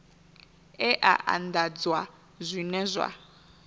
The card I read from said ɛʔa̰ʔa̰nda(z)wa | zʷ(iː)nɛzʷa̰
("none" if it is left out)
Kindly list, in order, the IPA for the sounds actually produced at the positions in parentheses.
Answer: d͡z, i

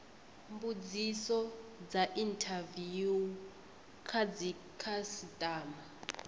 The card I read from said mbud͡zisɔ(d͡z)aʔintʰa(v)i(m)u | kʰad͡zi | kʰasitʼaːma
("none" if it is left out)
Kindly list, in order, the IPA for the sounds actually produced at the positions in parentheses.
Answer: d͡z, v, none

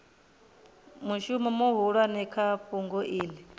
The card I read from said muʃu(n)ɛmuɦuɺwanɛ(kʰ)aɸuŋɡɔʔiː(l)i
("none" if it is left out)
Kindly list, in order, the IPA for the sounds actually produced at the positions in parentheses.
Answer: m, kʰ, l

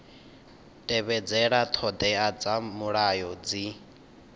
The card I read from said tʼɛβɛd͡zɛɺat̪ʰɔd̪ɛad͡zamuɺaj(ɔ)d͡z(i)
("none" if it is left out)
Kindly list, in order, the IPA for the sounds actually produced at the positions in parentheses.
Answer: ɔ, i

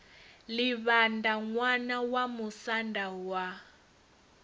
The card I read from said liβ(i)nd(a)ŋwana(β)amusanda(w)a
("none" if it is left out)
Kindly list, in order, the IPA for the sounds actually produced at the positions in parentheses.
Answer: a, a, w, w

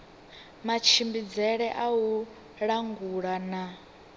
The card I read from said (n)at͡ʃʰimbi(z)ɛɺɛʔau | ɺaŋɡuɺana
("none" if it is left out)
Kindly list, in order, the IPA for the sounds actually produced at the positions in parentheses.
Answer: m, d͡z

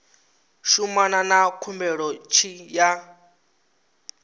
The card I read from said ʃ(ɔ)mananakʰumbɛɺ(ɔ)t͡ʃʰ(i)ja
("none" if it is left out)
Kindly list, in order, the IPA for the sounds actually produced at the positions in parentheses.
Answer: u, ɔ, i

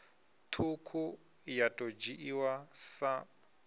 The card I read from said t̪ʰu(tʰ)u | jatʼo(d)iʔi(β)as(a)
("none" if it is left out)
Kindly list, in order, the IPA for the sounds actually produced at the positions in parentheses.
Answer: kʰ, d͡ʒ, w, a

